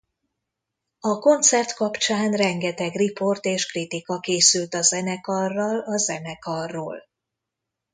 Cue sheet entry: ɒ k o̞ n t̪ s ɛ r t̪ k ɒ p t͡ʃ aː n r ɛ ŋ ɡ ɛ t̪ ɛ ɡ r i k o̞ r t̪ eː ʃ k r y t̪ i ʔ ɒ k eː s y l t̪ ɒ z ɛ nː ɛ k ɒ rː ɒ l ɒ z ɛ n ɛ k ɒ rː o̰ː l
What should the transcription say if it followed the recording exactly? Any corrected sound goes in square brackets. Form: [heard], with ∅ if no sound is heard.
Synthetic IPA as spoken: ɒ k o̞ n t̪ s ɛ r t̪ k ɒ p t͡ʃ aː n r ɛ ŋ ɡ ɛ t̪ ɛ ɡ r i [p] o̞ r t̪ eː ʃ k r [i] t̪ i [k] ɒ k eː s y l t̪ ɒ z ɛ [n] ɛ k ɒ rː ɒ l ɒ z ɛ n ɛ k ɒ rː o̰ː l